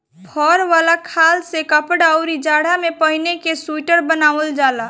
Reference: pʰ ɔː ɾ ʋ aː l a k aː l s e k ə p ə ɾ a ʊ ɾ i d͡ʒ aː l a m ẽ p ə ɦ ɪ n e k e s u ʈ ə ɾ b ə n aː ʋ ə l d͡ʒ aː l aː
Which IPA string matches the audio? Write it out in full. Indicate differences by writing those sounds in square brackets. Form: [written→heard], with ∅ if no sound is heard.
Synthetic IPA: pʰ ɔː ɾ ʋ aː l a [k→kʰ] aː l s e k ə p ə [ɾ→ɽ] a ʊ ɾ i d͡ʒ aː [l→ɽ] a m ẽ p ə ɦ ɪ n e k e s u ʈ ə ɾ b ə n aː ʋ ə l d͡ʒ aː l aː